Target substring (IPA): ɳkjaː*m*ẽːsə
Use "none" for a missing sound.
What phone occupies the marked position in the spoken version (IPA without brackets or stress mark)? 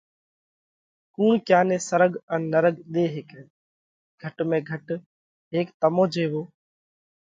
n